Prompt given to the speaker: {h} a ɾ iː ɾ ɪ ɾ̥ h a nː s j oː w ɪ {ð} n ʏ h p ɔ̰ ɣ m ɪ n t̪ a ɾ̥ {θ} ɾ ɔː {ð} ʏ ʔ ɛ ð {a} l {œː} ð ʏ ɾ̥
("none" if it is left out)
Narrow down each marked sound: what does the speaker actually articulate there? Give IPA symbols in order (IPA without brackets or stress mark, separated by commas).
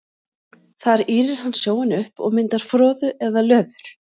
θ, none, f, ð, a, œː